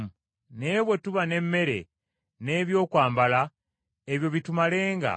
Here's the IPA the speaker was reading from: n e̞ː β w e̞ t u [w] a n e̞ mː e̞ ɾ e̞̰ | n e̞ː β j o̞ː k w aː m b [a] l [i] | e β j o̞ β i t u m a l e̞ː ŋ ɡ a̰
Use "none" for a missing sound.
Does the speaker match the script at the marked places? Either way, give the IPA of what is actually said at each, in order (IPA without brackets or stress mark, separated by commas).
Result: β, a, a